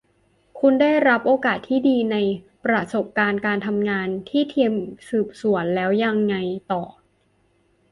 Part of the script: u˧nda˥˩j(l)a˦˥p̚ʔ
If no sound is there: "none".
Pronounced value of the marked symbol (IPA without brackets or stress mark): ɾ